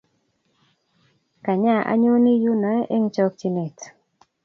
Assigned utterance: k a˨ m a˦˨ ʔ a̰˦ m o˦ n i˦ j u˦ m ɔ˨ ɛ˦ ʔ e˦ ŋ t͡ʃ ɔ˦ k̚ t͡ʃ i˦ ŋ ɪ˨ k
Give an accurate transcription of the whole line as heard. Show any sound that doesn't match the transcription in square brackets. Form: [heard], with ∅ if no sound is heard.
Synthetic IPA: k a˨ [ɲ] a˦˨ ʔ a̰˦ [ɲ] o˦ n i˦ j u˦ [n] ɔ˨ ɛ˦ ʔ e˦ ŋ t͡ʃ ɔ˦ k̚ t͡ʃ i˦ [n] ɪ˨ [t]